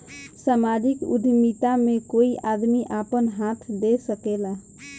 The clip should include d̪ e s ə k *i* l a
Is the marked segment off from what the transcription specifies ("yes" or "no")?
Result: yes